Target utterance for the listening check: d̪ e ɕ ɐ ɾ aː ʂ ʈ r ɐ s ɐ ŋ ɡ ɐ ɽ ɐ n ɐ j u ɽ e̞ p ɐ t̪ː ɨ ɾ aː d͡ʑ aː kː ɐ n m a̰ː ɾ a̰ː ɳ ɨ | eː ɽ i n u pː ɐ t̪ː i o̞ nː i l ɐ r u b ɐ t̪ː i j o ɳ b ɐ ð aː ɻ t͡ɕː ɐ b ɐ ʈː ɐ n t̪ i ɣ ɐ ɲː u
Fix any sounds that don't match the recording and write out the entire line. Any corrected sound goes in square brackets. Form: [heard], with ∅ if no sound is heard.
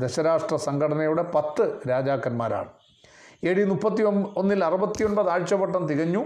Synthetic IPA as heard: d̪ e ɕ ɐ ɾ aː ʂ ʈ r ɐ s ɐ ŋ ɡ ɐ ɽ ɐ n ɐ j u ɽ e̞ p ɐ t̪ː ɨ ɾ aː d͡ʑ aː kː ɐ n m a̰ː ɾ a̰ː ɳ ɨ | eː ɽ i n u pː ɐ t̪ː i o̞ nː i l ɐ r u b ɐ t̪ː i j o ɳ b ɐ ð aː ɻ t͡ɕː ɐ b ɐ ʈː ɐ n t̪ i ɣ ɐ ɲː u